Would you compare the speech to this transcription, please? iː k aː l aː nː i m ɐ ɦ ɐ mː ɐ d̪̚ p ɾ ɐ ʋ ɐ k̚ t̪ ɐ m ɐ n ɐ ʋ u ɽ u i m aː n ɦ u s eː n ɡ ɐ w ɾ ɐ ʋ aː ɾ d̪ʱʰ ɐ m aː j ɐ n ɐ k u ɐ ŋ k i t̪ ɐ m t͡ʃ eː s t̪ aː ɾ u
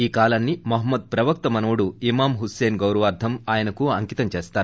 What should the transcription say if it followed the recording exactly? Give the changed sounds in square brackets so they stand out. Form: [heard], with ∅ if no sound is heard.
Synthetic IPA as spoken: iː k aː l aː nː i m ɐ ɦ ɐ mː ɐ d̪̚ p ɾ ɐ ʋ ɐ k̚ t̪ ɐ m ɐ n ɐ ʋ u ɽ u i m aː [m] ɦ u s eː n ɡ ɐ w ɾ ɐ ʋ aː ɾ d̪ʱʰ ɐ m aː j ɐ n ɐ k u ɐ ŋ k i t̪ ɐ m t͡ʃ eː s t̪ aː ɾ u